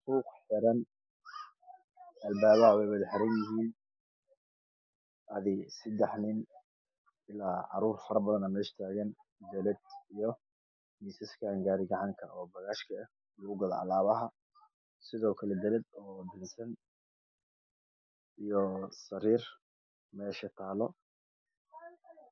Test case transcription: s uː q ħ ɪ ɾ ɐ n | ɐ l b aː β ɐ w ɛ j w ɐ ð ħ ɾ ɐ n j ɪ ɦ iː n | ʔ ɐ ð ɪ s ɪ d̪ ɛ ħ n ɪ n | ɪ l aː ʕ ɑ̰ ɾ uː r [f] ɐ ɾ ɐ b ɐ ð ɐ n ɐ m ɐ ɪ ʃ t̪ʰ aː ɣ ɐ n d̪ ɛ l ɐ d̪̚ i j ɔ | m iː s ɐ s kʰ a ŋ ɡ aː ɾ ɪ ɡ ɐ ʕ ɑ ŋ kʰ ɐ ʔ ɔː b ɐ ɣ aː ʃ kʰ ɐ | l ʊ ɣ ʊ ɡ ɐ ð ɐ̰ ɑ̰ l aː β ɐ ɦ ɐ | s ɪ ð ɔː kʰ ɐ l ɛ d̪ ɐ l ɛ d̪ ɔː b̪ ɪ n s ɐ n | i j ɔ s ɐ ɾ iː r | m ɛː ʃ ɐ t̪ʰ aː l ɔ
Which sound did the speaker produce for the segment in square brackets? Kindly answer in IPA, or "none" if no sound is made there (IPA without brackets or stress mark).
f